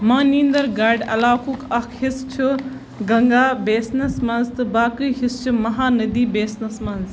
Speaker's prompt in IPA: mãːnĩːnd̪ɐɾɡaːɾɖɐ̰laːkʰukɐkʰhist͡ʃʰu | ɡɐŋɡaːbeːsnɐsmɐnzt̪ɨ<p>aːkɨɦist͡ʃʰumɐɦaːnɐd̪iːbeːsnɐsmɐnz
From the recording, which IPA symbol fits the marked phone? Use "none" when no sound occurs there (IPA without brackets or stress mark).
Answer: b